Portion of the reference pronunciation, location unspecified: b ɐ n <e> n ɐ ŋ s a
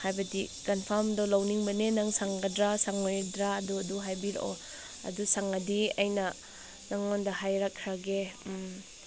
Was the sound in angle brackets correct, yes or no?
yes